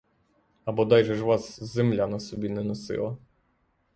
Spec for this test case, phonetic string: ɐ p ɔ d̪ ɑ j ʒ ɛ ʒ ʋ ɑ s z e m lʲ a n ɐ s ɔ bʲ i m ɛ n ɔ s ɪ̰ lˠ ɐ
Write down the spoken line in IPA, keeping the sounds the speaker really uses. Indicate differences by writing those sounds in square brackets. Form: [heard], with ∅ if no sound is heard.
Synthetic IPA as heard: ɐ [b] ɔ d̪ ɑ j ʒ ɛ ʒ ʋ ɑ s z e m lʲ a n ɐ s ɔ bʲ i [n] ɛ n ɔ s ɪ̰ lˠ ɐ